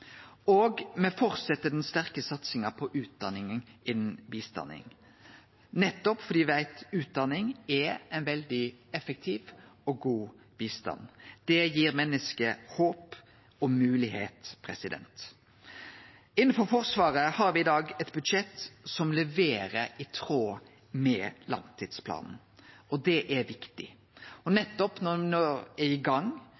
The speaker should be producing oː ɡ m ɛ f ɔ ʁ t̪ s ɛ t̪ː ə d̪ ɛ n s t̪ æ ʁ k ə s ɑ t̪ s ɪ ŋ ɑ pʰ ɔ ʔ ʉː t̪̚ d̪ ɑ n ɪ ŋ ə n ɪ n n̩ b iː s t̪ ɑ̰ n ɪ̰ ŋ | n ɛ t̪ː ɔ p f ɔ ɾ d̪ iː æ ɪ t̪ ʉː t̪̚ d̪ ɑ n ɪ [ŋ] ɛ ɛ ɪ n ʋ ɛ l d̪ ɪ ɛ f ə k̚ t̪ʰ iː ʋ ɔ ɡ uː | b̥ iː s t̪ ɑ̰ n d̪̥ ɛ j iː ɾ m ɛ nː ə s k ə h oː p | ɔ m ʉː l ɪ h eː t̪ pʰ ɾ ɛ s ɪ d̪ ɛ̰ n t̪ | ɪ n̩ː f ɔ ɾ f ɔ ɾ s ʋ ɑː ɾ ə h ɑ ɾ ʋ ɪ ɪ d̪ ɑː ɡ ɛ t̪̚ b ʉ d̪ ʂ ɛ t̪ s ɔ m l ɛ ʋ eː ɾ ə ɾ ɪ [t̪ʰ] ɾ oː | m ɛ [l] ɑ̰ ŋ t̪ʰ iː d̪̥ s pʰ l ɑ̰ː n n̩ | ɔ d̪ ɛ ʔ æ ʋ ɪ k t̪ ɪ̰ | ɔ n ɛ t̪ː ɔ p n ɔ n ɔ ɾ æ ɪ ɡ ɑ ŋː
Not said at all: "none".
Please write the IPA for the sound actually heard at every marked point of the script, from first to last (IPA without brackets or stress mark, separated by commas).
ŋ, t̪ʰ, l